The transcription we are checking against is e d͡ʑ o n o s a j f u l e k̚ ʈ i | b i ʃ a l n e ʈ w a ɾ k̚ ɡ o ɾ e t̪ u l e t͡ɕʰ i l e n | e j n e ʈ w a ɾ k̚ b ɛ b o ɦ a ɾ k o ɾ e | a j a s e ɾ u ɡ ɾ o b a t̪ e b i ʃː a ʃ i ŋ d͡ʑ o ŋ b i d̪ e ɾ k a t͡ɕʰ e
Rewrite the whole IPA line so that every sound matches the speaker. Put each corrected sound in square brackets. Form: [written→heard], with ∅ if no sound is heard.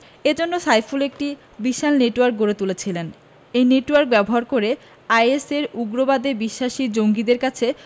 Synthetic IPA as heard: e d͡ʑ o [n→nː] o s a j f u l e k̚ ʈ i | b i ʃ a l n e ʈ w a ɾ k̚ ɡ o ɾ e t̪ u l e t͡ɕʰ i l e n | e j n e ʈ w a ɾ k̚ b ɛ b o ɦ a ɾ k o ɾ e | a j [a→e] s e ɾ u ɡ ɾ o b a [t̪→d̪] e b i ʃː a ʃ i [ŋ→∅] d͡ʑ o ŋ [b→ɡ] i d̪ e ɾ k a t͡ɕʰ e